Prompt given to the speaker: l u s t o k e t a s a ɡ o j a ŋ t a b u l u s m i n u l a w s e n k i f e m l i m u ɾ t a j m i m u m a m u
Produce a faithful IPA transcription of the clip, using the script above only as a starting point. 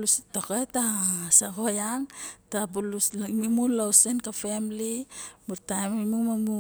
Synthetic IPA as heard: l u s t o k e t a s a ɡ o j a ŋ t a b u l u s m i m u l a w s e n k a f e m l i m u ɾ t a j m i m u m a m u